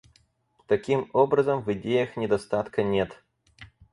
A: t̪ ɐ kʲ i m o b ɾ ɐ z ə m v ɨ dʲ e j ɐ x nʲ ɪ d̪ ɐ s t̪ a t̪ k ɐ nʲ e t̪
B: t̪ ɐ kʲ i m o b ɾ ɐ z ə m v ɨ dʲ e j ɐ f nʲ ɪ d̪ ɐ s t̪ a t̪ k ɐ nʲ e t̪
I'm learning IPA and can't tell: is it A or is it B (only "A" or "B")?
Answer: A